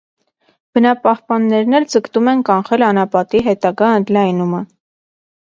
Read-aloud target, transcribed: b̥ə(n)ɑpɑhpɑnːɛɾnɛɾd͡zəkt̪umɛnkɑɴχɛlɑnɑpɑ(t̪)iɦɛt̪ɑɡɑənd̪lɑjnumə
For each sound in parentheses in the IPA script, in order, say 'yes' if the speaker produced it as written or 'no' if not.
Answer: yes, yes

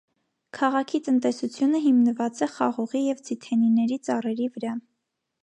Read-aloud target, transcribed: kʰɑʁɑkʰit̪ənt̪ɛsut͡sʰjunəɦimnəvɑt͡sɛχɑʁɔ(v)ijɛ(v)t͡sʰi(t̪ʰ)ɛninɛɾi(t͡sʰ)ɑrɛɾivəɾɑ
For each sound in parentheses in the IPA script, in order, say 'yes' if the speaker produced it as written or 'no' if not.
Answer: no, yes, yes, no

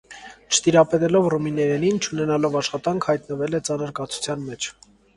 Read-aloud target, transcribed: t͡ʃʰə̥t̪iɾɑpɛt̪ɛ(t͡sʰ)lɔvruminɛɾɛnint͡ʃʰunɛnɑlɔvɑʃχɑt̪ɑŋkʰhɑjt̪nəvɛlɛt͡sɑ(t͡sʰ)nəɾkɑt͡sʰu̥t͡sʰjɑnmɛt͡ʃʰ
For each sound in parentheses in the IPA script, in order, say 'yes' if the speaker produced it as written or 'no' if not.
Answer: no, no

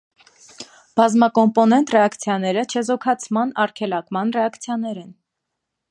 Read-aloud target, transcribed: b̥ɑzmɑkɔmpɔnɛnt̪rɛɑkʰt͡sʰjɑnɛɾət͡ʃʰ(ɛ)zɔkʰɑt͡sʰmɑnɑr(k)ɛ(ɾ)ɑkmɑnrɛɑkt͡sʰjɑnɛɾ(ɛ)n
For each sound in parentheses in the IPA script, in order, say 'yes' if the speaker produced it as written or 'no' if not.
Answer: yes, no, no, yes

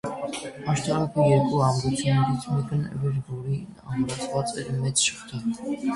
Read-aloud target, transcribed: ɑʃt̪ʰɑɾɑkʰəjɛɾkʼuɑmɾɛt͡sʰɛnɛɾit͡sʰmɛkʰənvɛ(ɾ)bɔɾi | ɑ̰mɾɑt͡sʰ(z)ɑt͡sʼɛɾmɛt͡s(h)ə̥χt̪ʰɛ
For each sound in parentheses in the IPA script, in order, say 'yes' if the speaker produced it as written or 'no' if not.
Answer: yes, no, no

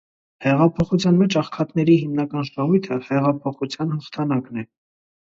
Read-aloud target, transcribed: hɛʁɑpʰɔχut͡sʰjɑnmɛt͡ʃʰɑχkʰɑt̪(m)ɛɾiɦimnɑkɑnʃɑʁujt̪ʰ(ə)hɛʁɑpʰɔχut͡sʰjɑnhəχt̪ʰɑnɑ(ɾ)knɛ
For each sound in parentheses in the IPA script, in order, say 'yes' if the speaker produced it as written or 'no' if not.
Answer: no, yes, no

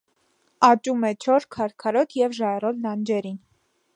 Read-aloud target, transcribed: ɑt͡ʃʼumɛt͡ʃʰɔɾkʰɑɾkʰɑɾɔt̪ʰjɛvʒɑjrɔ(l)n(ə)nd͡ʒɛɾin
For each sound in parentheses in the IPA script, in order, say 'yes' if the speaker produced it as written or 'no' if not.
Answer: yes, no

